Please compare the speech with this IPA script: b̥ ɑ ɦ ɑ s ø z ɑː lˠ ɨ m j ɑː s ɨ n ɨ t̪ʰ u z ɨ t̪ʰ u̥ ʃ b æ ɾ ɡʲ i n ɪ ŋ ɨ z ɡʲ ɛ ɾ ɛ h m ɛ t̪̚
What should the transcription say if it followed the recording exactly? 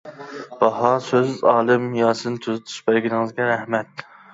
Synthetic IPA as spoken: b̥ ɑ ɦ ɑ s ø z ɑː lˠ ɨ m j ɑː s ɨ n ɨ t̪ʰ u z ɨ t̪ʰ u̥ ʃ b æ ɾ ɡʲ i n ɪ ŋ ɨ z ɡʲ ɛ ɾ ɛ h m ɛ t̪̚